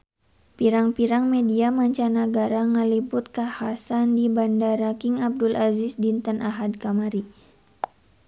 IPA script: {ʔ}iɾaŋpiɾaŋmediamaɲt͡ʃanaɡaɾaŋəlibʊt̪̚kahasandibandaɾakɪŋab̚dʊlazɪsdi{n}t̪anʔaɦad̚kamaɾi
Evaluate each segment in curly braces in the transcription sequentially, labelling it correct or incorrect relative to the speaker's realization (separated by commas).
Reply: incorrect, correct